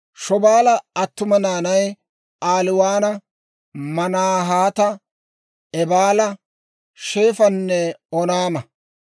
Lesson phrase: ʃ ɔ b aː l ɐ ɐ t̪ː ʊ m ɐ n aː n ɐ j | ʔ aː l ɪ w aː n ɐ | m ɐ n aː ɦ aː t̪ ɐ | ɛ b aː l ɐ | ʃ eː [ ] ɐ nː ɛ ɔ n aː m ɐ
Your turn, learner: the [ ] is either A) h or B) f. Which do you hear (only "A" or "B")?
B